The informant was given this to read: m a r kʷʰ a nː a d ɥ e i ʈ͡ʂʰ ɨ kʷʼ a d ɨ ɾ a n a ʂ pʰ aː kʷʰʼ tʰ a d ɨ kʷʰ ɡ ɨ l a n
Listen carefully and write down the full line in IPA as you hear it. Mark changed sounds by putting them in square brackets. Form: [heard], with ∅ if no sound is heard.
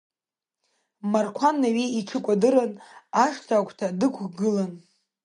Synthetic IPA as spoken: m a r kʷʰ a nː a [∅] ɥ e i ʈ͡ʂʰ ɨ kʷʼ a d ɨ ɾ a n a ʂ [tʰ] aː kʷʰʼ tʰ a d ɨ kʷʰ ɡ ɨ l a n